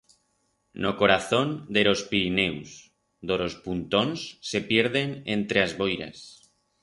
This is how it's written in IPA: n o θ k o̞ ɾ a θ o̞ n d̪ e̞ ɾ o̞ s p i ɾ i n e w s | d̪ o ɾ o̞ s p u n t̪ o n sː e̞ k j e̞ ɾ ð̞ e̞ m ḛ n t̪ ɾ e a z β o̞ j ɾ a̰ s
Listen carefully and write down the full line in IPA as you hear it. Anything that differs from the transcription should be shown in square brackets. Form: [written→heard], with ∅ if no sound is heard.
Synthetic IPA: n o [θ→∅] k o̞ ɾ a θ o̞ n d̪ e̞ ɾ o̞ s p i ɾ i n e w s | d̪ o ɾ o̞ s p u n t̪ o n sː e̞ [k→p] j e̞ ɾ ð̞ e̞ [m→n] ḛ n t̪ ɾ e a z β o̞ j ɾ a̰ s